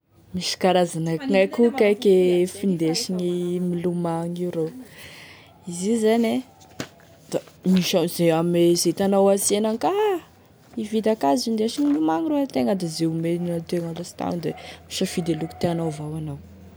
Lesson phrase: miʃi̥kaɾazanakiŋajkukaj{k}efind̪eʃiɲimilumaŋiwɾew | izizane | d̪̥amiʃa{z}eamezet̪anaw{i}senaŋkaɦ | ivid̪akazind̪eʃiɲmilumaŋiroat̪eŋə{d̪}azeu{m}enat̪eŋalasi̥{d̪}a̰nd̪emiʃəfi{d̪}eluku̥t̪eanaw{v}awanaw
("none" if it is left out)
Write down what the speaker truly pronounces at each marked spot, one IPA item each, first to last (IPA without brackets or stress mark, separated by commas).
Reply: k, z, a, d̪, m, t̪, d̪, v